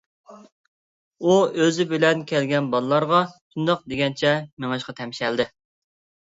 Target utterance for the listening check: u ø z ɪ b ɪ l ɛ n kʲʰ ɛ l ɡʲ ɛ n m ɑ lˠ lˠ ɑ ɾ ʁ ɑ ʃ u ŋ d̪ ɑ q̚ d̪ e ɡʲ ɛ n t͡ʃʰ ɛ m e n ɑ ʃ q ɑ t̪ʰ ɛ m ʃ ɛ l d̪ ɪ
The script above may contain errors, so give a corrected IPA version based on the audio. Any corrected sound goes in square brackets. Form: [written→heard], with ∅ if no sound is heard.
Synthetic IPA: u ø z ɪ b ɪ l ɛ n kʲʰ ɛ l ɡʲ ɛ n [m→b] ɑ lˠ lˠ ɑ ɾ ʁ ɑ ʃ u [ŋ→n] d̪ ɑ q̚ d̪ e ɡʲ ɛ n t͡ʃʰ ɛ m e [n→ŋ] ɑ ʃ q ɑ t̪ʰ ɛ m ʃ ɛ l d̪ ɪ